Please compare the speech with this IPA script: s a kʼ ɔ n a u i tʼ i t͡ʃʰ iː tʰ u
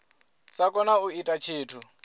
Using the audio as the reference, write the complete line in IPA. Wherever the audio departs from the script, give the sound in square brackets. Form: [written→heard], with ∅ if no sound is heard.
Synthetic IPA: s a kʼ ɔ n a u i tʼ [i→a] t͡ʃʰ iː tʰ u